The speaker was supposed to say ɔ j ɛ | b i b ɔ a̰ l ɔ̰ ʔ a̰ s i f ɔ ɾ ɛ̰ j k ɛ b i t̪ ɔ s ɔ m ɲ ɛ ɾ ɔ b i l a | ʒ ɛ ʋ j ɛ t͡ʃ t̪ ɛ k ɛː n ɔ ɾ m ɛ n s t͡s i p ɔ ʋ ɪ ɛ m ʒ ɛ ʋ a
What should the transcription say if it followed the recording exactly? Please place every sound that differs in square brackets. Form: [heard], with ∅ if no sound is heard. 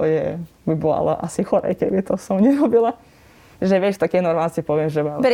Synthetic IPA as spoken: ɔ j ɛ | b i b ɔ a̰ l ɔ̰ ʔ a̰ s i [x] ɔ ɾ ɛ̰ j k ɛ b i t̪ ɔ s ɔ m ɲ ɛ ɾ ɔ b i l a | ʒ ɛ ʋ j ɛ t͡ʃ t̪ [a] k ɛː n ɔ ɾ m [a] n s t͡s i p ɔ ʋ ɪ ɛ m ʒ ɛ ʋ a